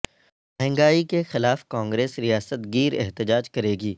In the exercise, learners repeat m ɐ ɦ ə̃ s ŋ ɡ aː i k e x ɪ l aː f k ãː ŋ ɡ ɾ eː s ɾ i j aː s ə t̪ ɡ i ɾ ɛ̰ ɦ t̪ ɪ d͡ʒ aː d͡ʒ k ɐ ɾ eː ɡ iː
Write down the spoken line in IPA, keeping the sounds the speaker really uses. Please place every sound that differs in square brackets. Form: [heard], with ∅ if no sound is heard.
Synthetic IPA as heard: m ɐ ɦ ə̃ [∅] ŋ ɡ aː i k e x ɪ l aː f k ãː ŋ ɡ ɾ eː s ɾ i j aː s ə t̪ ɡ [iː] ɾ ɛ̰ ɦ t̪ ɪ d͡ʒ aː d͡ʒ k ɐ ɾ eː ɡ iː